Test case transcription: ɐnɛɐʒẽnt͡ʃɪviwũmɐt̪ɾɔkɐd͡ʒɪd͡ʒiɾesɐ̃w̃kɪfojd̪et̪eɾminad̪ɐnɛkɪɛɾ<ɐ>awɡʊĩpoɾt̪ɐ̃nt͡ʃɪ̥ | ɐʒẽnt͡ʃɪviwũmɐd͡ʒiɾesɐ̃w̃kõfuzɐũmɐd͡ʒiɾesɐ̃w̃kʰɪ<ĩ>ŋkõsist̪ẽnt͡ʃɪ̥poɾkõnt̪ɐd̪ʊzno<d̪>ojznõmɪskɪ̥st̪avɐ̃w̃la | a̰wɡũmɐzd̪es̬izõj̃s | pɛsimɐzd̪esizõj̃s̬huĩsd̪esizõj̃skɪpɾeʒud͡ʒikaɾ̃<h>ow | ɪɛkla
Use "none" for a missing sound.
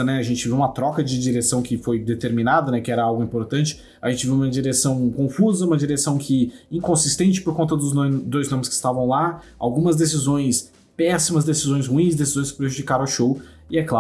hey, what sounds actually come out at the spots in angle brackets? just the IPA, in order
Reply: ɐ, ĩ, d̪, ʃ

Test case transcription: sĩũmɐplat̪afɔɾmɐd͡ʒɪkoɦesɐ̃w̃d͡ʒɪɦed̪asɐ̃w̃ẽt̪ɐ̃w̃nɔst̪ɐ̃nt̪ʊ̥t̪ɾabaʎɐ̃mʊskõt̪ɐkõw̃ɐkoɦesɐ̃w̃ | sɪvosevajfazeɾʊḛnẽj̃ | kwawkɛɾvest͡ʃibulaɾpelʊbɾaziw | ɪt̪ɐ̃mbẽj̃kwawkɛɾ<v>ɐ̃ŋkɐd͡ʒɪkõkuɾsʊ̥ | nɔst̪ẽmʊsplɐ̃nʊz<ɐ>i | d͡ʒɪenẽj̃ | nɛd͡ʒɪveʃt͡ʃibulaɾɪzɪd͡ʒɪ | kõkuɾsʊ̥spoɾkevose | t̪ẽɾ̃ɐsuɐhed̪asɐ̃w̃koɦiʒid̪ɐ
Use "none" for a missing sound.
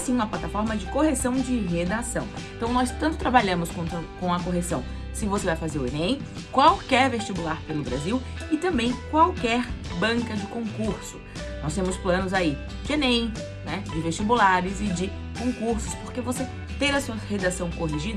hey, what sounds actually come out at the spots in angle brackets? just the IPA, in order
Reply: b, a

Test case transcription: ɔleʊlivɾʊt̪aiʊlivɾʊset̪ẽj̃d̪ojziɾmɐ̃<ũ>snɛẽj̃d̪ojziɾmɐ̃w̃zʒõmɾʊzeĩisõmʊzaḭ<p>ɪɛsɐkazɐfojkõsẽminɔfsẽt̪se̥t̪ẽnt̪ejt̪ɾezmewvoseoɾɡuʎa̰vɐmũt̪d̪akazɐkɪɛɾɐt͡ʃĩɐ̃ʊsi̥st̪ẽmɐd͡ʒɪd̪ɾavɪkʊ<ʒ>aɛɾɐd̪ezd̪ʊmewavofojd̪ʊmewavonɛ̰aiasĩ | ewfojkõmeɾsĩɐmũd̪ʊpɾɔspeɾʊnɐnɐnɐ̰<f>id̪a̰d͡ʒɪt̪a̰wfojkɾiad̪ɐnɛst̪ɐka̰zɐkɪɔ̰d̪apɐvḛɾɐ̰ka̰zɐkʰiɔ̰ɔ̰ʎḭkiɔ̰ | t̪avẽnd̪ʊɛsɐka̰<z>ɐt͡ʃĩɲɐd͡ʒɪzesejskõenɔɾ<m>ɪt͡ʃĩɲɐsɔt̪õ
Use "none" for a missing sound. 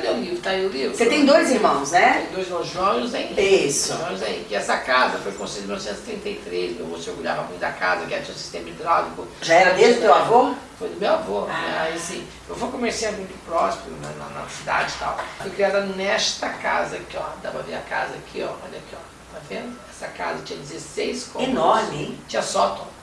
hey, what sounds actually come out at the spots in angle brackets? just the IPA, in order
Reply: w̃, k, ʒ, s, z, m

